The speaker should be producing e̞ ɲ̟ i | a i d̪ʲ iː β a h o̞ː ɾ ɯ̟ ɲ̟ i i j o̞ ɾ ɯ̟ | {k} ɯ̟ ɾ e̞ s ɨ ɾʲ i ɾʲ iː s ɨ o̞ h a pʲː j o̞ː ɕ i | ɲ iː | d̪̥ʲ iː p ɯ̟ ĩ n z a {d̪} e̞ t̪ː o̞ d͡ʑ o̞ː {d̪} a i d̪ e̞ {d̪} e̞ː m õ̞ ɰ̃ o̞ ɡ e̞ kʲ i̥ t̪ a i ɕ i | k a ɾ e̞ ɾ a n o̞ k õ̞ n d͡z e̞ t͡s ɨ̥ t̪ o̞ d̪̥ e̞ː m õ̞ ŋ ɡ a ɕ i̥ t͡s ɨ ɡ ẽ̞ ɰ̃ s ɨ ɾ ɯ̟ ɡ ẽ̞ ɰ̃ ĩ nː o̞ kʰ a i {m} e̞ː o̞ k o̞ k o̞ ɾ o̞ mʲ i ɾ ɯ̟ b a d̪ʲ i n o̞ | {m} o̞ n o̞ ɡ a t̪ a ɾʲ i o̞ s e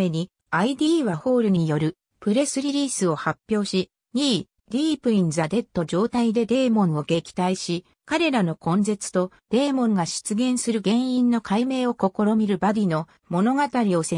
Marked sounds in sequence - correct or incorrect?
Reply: incorrect, correct, incorrect, correct, correct, correct

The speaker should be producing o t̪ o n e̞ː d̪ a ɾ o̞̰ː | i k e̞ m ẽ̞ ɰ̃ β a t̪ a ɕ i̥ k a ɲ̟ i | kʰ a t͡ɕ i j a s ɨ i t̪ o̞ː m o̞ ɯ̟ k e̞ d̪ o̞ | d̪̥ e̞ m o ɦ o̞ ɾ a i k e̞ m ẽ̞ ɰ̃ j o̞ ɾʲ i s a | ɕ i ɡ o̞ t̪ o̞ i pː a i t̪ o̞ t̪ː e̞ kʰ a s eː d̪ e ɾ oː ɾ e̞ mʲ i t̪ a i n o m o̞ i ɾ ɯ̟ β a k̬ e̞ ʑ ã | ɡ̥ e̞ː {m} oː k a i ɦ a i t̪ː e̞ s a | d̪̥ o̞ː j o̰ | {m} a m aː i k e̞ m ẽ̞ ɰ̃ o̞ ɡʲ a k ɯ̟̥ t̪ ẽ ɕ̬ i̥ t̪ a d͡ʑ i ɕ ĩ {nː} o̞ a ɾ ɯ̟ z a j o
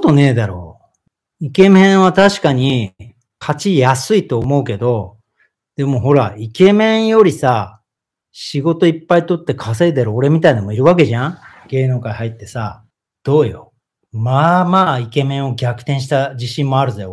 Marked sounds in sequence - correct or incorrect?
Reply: incorrect, correct, incorrect

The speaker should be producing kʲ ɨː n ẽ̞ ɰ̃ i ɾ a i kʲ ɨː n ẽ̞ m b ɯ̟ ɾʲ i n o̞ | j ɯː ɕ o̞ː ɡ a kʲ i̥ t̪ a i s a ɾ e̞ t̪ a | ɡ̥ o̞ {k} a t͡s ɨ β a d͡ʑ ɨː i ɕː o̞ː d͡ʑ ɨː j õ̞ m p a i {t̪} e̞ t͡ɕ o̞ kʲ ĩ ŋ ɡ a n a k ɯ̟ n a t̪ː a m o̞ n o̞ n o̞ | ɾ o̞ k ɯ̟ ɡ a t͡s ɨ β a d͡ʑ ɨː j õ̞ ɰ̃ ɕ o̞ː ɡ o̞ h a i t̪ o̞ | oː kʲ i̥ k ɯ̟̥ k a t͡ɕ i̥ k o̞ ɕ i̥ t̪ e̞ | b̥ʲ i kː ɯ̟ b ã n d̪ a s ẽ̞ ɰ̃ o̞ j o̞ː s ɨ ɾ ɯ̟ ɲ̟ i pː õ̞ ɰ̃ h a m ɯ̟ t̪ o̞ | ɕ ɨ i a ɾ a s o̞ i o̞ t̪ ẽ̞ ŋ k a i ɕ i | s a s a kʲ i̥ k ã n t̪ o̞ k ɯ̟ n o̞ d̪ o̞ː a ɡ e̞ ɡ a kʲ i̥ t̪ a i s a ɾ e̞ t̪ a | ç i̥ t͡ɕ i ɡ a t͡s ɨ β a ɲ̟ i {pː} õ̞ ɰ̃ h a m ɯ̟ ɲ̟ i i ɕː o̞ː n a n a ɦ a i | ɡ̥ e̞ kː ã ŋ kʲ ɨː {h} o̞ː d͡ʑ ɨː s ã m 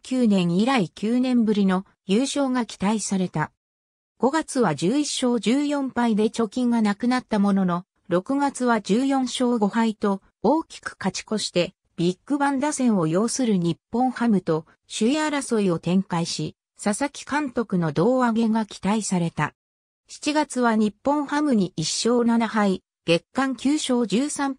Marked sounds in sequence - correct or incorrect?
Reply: incorrect, incorrect, correct, incorrect

